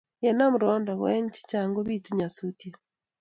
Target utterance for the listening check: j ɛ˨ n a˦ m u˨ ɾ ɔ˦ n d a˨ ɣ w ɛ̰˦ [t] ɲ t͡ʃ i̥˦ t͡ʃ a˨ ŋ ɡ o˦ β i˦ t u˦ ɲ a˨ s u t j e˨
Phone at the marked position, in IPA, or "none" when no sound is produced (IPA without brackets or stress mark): none